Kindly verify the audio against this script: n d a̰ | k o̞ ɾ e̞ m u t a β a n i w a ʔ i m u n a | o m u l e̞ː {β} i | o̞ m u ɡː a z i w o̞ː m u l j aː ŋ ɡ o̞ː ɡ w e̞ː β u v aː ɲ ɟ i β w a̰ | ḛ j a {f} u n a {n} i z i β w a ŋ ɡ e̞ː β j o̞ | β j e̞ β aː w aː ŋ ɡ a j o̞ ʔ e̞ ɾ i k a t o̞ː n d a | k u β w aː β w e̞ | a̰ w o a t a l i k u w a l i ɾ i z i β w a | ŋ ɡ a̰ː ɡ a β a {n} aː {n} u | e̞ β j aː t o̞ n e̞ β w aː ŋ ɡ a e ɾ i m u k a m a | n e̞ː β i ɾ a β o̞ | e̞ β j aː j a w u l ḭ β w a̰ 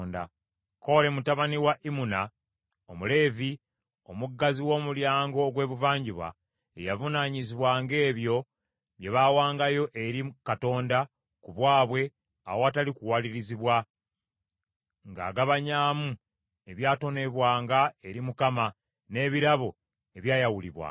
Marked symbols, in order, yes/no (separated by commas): no, no, no, no, no